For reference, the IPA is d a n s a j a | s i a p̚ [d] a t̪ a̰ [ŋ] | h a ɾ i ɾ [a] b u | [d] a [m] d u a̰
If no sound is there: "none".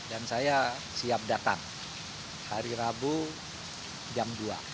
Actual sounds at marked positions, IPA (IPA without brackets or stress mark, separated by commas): d, ŋ, a, d͡ʒ, m